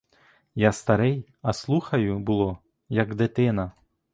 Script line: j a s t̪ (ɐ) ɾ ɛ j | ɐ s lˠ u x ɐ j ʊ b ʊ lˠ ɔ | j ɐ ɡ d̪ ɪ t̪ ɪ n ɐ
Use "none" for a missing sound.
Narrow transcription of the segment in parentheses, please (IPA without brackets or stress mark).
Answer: ɐ